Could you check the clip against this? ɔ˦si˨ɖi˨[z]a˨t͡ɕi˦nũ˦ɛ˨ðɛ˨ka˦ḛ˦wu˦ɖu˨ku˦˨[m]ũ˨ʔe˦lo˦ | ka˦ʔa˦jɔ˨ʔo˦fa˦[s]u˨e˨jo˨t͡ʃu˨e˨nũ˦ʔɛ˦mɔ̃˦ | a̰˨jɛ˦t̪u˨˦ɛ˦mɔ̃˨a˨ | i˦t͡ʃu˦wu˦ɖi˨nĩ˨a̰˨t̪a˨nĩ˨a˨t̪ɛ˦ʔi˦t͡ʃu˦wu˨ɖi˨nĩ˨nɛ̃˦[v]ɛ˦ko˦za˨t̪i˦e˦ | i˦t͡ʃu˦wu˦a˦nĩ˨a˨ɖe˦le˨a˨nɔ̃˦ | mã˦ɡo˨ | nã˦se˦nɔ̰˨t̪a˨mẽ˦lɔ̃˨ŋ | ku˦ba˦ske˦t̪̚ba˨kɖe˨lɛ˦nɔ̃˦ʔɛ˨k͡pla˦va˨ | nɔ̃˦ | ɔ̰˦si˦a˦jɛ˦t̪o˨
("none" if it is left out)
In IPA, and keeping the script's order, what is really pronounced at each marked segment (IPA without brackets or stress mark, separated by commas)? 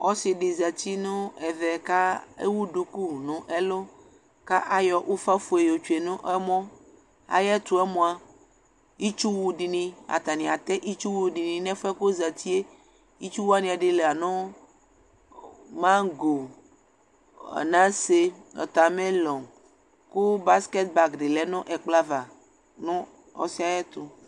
z, n, f, f